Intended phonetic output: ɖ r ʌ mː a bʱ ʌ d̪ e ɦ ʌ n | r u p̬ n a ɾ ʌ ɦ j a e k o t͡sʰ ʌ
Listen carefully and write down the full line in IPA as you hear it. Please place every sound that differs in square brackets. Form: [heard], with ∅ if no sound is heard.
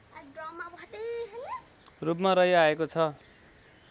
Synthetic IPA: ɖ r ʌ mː a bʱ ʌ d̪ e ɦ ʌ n | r u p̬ [m] a ɾ ʌ ɦ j a e k o t͡sʰ ʌ